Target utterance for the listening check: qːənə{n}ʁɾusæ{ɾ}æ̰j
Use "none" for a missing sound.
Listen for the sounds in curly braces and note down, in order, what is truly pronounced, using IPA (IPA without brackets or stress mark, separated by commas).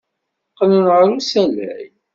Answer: n, l